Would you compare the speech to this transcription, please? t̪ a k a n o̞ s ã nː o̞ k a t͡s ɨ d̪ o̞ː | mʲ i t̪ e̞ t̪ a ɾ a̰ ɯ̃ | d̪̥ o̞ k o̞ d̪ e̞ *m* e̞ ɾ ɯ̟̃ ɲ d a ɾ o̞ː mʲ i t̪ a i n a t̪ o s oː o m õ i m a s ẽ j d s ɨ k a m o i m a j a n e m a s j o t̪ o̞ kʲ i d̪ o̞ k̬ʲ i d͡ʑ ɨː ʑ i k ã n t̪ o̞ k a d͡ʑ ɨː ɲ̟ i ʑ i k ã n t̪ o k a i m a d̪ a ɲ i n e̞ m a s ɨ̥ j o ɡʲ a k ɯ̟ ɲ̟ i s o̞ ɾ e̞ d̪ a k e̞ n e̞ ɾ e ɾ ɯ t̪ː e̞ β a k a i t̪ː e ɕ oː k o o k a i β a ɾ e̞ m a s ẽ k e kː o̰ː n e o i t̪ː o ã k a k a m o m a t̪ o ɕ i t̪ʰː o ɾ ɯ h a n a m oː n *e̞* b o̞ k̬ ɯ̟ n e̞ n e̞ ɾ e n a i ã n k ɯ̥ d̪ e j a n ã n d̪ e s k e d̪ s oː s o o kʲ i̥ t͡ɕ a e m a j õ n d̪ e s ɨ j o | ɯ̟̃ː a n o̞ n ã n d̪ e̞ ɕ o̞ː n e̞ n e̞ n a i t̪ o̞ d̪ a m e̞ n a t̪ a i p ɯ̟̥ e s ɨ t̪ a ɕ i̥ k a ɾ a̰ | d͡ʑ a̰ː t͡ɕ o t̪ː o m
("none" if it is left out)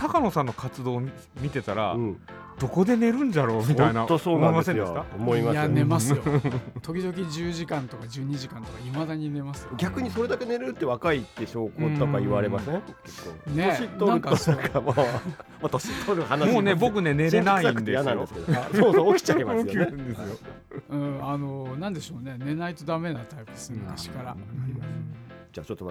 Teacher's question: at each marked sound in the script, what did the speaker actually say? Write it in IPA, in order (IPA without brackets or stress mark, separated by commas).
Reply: n, e̞